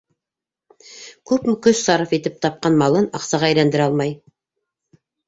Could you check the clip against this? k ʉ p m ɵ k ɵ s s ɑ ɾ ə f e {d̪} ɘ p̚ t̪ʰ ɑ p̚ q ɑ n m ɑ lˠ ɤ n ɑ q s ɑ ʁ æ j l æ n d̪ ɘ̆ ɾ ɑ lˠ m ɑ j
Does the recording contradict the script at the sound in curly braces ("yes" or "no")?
yes